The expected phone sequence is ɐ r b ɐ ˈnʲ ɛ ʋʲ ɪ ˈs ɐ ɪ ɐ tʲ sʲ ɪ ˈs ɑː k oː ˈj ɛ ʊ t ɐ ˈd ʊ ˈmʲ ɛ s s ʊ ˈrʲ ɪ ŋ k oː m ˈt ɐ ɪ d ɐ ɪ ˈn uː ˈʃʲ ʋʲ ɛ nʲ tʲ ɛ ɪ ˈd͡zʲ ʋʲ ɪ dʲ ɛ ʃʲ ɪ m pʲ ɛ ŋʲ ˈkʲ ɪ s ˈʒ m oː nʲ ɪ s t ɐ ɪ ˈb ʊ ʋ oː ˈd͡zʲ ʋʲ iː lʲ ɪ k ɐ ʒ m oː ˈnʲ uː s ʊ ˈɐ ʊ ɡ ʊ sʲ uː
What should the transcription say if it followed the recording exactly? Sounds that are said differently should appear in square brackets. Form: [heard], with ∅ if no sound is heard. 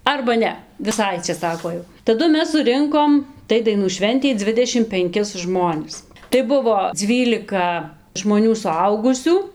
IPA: ɐ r b ɐ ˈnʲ ɛ ʋʲ ɪ ˈs ɐ ɪ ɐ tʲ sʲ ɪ ˈs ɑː k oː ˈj ɛ ʊ t ɐ ˈd ʊ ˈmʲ ɛ s s ʊ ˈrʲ ɪ ŋ k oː m ˈt ɐ ɪ d ɐ ɪ ˈn uː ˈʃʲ ʋʲ ɛ nʲ tʲ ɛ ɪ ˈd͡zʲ ʋʲ ɪ dʲ ɛ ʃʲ ɪ m pʲ ɛ ŋʲ ˈkʲ ɪ s ˈʒ m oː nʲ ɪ s t ɐ ɪ ˈb ʊ ʋ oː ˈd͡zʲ ʋʲ iː lʲ ɪ k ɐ ʒ m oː ˈnʲ uː s ʊ ˈɐ ʊ ɡ ʊ sʲ uː